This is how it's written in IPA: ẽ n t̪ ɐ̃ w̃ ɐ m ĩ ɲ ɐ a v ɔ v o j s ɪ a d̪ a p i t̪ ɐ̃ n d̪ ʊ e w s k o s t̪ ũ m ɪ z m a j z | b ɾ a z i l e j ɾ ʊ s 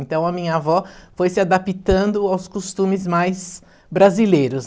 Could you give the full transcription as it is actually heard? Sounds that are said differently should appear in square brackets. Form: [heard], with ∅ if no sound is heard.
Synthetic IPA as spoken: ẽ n t̪ ɐ̃ w̃ ɐ m ĩ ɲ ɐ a v ɔ [f] o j s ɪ a d̪ a p i t̪ ɐ̃ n d̪ ʊ [a] w s k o s t̪ ũ m ɪ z m a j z | b ɾ a z i l e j ɾ ʊ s